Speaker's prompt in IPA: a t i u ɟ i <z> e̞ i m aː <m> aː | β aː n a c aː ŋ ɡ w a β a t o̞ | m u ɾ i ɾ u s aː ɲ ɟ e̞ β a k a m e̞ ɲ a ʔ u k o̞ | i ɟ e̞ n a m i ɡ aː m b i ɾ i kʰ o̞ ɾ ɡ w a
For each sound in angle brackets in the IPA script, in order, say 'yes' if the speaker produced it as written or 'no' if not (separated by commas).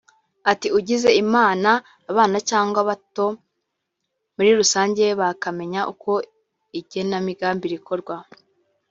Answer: yes, no